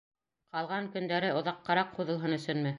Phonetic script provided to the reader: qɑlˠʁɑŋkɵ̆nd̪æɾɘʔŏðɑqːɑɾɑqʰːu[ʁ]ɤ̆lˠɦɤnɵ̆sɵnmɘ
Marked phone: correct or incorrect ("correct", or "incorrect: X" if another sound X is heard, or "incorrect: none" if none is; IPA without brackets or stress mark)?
incorrect: ð